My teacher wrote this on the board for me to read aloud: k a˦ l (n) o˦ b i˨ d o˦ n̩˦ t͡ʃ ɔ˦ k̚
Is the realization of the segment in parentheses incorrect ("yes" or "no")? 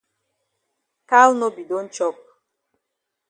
no